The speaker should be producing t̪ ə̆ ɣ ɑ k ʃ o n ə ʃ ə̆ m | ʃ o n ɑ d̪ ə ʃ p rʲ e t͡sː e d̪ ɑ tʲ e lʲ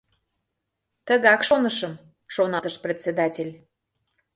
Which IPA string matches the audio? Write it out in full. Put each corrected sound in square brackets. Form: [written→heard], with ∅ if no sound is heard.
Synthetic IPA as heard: t̪ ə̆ ɣ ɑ k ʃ o n ə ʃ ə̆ m | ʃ o n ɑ [d̪→t̪] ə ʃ p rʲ e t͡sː e d̪ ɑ tʲ e lʲ